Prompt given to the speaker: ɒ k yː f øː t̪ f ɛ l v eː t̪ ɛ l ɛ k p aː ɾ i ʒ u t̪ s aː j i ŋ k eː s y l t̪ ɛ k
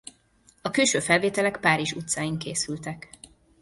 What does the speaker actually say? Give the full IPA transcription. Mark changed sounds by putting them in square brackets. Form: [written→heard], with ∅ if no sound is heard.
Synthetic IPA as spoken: ɒ k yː [f→ʃ] øː [t̪→∅] f ɛ l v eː t̪ ɛ l ɛ k p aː ɾ i ʒ u t̪ s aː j i ŋ k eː s y l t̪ ɛ k